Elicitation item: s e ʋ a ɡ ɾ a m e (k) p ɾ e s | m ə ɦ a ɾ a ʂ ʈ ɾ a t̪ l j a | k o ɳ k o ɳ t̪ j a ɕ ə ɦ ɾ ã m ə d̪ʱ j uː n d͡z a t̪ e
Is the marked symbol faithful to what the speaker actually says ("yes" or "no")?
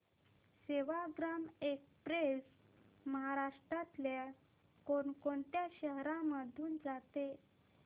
yes